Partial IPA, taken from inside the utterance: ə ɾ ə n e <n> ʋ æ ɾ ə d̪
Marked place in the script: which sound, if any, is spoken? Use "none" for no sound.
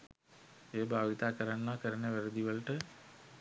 none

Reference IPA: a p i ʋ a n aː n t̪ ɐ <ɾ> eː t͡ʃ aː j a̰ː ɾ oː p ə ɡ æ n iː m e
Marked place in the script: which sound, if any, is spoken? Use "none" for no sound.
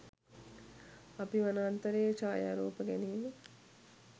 ɾ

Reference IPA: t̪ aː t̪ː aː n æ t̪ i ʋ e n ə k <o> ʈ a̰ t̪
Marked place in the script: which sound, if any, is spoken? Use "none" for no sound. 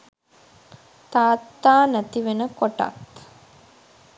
o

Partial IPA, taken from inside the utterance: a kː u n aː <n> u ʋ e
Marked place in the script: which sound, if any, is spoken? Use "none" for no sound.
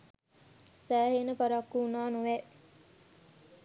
n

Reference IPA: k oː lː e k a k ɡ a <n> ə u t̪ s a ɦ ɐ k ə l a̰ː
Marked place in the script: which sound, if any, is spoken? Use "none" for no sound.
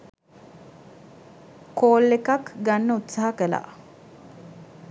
nː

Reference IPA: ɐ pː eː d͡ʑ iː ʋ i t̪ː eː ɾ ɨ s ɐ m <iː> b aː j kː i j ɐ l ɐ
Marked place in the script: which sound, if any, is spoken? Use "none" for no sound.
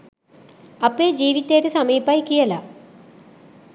iː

